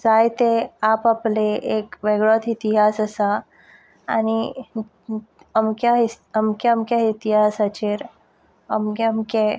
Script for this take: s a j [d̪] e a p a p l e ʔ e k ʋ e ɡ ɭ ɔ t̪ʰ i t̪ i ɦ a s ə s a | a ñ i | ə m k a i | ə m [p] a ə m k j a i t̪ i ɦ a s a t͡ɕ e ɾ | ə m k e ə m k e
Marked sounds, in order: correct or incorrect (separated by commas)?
incorrect, incorrect